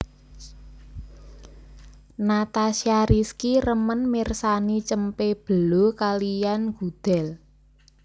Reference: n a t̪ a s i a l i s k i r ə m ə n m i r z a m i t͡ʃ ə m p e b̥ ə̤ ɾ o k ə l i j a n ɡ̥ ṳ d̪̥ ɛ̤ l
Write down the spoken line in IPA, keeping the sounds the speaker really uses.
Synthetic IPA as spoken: n a t̪ a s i a ɾ i s k i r ə m ə n m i r s a n i t͡ʃ ə m p e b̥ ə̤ l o k a l i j a n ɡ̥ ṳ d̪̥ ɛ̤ l